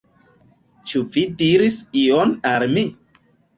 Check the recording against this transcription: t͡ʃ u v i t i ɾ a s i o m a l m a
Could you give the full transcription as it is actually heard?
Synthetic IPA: t͡ʃ u v i d i ɾ i s i o n a l m i